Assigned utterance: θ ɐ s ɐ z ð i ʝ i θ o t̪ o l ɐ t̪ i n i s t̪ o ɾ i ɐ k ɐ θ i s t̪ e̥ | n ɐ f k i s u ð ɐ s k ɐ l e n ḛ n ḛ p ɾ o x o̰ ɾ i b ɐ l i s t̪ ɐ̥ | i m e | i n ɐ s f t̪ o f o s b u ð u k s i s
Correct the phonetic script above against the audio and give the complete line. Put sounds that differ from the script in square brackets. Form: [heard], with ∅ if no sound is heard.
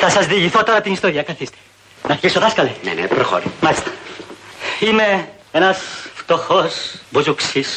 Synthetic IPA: θ ɐ s ɐ z ð i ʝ i θ o t̪ o [ɾ] ɐ t̪ i n i s t̪ o ɾ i ɐ k ɐ θ i s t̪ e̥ | n ɐ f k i s [o] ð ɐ s k ɐ l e n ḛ n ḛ p ɾ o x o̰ ɾ i [m] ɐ l i s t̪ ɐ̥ | i m e | [e] n ɐ s f t̪ o [x] o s b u [z] u k s i s